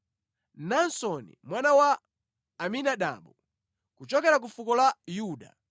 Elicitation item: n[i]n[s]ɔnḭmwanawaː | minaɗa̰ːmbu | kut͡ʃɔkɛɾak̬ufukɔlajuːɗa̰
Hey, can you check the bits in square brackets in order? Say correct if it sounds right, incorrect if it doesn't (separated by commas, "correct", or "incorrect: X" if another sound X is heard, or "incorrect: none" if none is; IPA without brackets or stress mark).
incorrect: a, correct